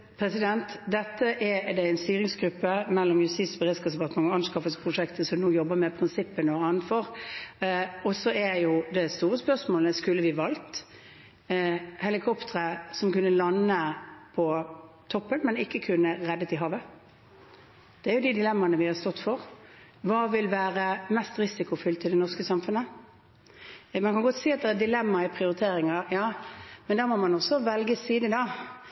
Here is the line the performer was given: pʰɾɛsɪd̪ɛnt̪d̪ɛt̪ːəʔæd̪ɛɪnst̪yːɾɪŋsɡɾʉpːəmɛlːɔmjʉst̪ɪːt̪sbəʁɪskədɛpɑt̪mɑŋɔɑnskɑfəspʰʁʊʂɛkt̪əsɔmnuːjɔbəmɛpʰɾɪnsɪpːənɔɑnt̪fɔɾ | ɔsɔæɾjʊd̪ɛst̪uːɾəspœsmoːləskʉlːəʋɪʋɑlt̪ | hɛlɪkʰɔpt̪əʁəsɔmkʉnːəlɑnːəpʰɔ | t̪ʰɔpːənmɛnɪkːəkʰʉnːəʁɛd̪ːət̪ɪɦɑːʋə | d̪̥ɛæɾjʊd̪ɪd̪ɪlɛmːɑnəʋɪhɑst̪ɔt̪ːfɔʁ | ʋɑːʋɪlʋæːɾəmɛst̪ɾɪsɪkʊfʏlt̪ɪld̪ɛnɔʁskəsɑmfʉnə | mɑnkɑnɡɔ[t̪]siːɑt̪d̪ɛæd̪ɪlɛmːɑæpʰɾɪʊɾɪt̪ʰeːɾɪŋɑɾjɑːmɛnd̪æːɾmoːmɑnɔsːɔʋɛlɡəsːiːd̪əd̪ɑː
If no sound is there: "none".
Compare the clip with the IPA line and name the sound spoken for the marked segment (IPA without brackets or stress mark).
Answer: t̪